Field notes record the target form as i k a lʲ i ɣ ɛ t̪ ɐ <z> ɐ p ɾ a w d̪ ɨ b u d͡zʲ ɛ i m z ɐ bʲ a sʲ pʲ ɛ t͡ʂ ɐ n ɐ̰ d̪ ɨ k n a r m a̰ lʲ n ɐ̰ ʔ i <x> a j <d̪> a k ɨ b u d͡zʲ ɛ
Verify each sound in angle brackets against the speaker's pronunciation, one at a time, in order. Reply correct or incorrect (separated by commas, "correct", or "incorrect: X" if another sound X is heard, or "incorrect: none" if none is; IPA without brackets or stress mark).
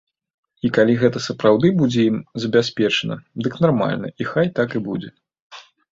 incorrect: s, correct, incorrect: t̪